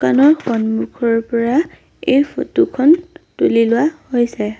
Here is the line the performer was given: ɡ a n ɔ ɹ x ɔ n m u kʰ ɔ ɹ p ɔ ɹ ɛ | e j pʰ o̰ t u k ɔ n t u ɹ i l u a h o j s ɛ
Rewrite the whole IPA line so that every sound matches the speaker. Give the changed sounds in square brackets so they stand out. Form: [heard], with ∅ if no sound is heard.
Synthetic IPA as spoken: [k] a n ɔ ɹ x ɔ n m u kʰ ɔ ɹ p ɔ ɹ [a] | e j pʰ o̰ t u [kʰ] ɔ n t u [l] i l [ʊ] a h o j s ɛ